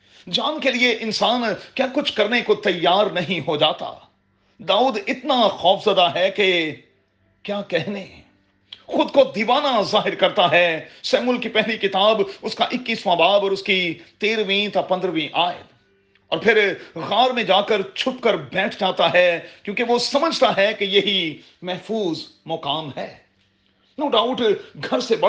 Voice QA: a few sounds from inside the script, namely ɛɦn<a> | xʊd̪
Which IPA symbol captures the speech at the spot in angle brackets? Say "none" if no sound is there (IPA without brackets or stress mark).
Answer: e